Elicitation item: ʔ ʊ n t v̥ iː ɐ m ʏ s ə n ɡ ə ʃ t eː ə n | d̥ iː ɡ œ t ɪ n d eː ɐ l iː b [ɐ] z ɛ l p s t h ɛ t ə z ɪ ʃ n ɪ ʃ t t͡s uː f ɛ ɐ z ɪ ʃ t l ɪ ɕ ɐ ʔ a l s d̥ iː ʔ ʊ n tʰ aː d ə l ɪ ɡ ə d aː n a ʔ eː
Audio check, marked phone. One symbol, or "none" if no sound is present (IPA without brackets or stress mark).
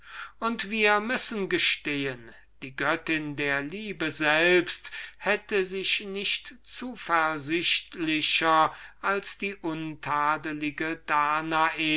ə